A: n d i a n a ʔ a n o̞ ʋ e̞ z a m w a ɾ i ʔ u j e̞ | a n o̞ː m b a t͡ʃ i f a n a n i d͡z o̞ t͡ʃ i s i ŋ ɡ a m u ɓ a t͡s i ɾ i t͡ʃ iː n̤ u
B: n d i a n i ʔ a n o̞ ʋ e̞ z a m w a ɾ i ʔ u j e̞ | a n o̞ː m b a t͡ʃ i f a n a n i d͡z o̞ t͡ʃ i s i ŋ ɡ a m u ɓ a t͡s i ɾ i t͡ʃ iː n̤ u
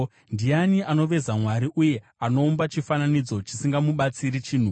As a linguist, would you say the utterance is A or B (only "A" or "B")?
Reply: B